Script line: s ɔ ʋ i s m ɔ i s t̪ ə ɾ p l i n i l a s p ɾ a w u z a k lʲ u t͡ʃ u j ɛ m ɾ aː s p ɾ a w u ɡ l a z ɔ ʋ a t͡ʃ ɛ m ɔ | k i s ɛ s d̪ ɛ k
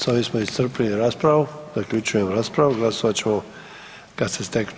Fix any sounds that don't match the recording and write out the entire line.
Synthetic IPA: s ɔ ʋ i s m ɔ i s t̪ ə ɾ p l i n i ɾ a s p ɾ a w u z a k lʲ u t͡ʃ u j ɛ m ɾ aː s p ɾ a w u ɡ l a s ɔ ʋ a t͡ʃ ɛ m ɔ | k a s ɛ s t̪ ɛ k